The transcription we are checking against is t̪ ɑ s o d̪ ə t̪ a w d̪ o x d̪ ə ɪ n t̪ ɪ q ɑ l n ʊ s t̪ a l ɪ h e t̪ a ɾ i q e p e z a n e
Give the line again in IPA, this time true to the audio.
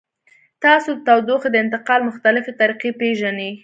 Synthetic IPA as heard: t̪ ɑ s o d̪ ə t̪ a w d̪ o x d̪ ə ɪ n t̪ ɪ q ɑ l m ʊ x t̪ a l ɪ f e t̪ a ɾ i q e p e ʒ a n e